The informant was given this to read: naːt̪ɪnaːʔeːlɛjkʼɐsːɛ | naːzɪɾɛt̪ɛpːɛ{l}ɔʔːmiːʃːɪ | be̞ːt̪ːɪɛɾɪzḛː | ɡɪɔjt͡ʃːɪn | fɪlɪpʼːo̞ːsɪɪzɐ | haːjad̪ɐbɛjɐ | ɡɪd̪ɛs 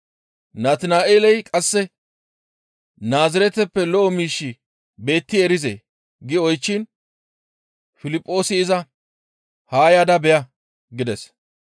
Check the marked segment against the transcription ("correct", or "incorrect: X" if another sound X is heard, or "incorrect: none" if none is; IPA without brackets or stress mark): correct